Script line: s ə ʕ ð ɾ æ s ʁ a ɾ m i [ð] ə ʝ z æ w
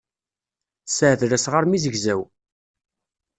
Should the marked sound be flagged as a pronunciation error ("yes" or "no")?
yes